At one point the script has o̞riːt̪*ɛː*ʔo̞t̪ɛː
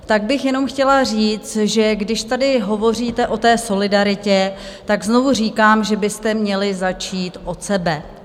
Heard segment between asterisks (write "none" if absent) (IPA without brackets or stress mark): ɛ